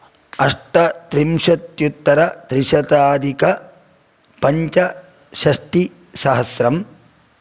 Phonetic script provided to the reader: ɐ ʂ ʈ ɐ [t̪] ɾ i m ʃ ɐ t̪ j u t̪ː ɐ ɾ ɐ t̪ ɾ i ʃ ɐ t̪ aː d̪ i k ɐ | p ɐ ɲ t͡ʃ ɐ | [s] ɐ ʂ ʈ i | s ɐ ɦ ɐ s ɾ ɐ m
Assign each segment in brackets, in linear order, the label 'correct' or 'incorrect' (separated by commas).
correct, incorrect